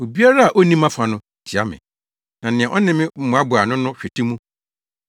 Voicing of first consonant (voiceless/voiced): voiced